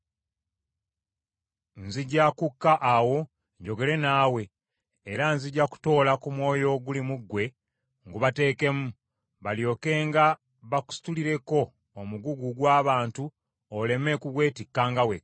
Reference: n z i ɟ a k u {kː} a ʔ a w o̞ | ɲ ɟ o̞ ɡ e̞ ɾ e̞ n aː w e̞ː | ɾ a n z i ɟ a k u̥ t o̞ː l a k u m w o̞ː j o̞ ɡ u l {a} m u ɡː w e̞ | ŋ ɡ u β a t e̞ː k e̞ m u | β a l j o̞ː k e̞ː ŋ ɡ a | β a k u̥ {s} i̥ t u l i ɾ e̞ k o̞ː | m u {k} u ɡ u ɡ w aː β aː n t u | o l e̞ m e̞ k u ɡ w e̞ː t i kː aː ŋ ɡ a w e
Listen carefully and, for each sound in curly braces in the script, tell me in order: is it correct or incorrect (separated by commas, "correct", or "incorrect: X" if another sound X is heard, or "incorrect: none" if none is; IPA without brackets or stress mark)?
correct, incorrect: i, correct, incorrect: ɡ